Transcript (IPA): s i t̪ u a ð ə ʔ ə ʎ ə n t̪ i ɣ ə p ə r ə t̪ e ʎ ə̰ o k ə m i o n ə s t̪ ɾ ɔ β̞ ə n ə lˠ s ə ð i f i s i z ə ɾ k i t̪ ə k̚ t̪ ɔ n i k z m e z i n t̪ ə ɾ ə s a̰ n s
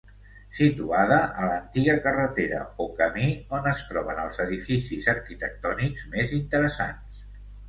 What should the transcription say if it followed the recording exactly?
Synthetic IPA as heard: s i t̪ u a ð ə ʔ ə l ə n t̪ i ɣ ə k ə r ə t̪ e ɾ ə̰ o k ə m i o n ə s t̪ ɾ ɔ β̞ ə n ə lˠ z ə ð i f i s i z ə ɾ k i t̪ ə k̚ t̪ ɔ n i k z m e z i n t̪ ə ɾ ə s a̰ n s